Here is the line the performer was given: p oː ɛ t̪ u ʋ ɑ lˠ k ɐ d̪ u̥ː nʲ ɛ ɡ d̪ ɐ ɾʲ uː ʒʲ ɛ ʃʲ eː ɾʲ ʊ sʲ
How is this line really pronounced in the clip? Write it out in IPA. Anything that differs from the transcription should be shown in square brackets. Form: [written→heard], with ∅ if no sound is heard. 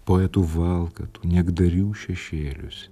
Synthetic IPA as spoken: p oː ɛ t̪ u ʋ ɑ lˠ k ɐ [d̪→t̪] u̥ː nʲ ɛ ɡ d̪ ɐ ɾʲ uː [ʒʲ→ʃʲ] ɛ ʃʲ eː [ɾʲ→lʲ] ʊ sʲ